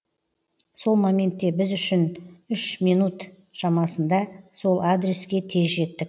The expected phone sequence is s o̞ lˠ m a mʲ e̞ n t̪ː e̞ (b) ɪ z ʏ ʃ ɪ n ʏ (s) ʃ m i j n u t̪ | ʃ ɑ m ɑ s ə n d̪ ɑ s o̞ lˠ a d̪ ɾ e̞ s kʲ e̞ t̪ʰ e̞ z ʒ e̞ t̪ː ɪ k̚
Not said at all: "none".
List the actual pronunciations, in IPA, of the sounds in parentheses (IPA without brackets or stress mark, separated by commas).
b, none